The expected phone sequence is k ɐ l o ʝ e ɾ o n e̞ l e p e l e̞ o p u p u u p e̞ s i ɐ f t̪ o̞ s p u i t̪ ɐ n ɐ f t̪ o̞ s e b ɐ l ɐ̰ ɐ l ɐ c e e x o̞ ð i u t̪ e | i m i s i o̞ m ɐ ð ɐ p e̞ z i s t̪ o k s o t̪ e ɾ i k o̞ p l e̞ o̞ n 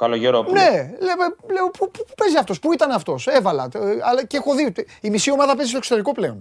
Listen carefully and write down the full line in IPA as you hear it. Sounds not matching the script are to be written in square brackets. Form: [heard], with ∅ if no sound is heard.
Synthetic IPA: k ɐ l o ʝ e ɾ o n e̞ l e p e l e̞ o p u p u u p e̞ [z] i ɐ f t̪ o̞ s p u i t̪ ɐ n ɐ f t̪ o̞ s e [v] ɐ l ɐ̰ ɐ l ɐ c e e x o̞ ð i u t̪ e | i m i s i o̞ m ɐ ð ɐ p e̞ z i s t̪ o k s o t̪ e ɾ i k o̞ p l e̞ o̞ n